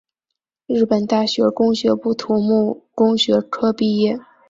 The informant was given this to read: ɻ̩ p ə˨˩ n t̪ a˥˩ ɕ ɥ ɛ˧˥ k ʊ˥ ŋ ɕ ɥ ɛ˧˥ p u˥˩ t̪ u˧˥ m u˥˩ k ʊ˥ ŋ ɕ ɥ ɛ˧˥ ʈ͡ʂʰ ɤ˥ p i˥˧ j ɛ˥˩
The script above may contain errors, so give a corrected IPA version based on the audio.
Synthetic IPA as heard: ɻ̩ p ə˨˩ n t̪ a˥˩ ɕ ɥ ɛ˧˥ k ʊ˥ ŋ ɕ ɥ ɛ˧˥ p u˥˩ t̪ʰ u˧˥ m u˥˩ k ʊ˥ ŋ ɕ ɥ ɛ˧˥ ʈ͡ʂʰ ɤ˥ p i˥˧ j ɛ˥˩